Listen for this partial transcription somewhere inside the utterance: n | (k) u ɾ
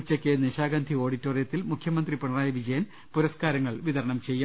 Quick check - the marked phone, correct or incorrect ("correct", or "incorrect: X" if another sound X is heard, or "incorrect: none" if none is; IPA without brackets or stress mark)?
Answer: incorrect: p